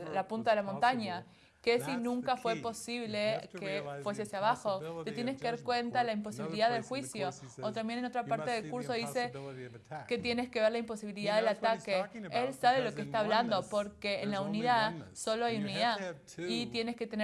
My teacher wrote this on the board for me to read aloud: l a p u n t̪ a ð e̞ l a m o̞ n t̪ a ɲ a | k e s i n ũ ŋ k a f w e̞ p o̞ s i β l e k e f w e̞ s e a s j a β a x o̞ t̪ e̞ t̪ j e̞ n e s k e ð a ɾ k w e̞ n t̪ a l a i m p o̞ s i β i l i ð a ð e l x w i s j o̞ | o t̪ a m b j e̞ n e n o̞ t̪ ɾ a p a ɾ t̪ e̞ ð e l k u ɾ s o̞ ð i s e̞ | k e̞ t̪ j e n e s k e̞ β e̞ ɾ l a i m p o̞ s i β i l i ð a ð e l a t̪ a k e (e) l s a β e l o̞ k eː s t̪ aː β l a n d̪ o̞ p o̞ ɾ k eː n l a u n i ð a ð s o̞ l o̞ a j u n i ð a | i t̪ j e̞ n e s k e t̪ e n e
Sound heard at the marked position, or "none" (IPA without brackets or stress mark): e